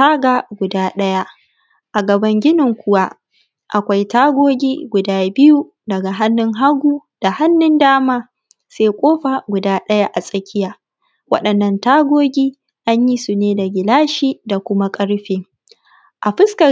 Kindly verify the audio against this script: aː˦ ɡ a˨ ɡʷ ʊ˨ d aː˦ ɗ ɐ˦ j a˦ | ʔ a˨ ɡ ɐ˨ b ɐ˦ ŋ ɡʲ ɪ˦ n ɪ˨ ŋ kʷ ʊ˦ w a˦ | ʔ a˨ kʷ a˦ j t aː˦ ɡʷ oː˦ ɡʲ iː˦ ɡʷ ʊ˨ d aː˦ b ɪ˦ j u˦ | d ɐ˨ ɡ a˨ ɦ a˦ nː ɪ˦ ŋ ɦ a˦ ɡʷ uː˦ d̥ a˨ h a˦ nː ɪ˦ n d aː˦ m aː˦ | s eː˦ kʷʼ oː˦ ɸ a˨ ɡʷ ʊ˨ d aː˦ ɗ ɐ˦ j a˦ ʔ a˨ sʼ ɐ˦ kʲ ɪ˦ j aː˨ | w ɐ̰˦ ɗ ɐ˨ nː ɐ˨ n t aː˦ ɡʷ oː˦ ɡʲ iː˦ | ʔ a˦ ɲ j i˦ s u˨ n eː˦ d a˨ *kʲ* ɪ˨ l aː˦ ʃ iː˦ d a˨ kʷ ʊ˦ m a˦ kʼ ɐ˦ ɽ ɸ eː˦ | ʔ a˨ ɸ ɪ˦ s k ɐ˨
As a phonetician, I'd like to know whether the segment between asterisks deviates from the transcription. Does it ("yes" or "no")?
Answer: yes